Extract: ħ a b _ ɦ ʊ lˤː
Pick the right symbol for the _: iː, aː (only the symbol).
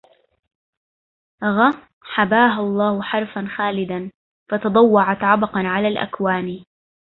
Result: aː